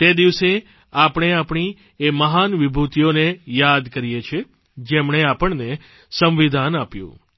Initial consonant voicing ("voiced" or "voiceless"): voiceless